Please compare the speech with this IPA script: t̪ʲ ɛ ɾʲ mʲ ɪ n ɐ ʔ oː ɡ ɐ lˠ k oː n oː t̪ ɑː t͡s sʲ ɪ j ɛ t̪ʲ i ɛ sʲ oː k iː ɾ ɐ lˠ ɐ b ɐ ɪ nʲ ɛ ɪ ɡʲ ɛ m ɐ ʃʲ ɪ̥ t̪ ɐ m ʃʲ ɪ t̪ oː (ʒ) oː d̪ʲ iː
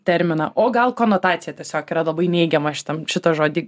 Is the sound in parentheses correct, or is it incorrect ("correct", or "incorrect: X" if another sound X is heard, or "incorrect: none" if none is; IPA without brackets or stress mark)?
correct